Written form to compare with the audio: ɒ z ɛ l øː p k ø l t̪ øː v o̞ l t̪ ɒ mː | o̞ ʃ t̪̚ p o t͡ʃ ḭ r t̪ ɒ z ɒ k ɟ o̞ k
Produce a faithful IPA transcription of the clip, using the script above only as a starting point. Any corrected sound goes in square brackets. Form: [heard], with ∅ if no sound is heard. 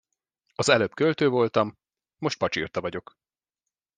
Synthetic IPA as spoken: ɒ z ɛ l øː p k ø l t̪ øː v o̞ l t̪ ɒ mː | o̞ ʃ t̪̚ p [ɒ] t͡ʃ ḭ r t̪ ɒ [v] ɒ [∅] ɟ o̞ k